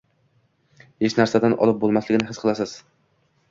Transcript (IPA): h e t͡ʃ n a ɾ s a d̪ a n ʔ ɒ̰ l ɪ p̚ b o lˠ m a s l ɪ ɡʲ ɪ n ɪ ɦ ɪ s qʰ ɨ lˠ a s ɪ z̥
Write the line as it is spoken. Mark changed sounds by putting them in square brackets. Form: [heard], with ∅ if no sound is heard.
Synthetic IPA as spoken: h e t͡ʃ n a ɾ s a d̪ a n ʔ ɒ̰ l ɪ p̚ b o lˠ m a s l ɪ ɡʲ ɪ n ɪ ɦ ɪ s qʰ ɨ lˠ a s ɪ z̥